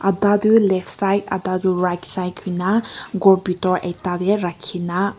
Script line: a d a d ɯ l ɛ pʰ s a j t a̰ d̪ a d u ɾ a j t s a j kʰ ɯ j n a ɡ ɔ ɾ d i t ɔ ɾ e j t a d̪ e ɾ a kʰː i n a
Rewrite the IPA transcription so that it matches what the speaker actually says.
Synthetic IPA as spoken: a d a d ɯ l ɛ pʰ s a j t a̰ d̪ a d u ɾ a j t s a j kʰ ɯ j n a ɡ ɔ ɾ b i t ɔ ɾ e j t a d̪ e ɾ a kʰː i n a